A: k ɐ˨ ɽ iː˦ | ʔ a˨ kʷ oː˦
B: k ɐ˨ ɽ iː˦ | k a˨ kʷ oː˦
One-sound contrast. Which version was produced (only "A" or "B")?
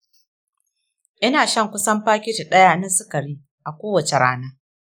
A